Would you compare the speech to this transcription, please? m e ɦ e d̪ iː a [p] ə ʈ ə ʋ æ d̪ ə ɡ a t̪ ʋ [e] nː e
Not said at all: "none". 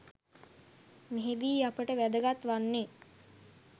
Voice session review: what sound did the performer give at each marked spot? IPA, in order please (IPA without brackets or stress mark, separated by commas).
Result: p, a